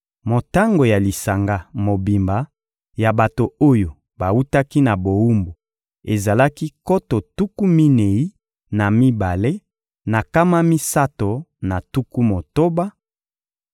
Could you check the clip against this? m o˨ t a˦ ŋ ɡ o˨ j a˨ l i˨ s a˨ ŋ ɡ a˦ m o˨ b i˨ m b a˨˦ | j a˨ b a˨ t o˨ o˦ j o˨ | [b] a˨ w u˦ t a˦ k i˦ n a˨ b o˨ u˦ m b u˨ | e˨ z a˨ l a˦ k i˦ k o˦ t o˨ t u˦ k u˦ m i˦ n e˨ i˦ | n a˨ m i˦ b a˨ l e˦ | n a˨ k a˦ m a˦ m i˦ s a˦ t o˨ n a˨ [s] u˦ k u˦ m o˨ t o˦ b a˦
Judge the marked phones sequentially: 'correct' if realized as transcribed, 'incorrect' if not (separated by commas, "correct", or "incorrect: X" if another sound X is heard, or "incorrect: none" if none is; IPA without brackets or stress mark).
correct, incorrect: t